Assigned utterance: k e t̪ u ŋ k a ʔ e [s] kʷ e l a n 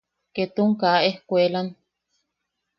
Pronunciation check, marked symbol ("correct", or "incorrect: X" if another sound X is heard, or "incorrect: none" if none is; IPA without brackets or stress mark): incorrect: h